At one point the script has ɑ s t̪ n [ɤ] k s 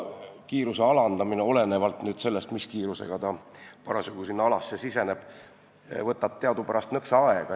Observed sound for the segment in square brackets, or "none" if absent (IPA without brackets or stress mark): ɤ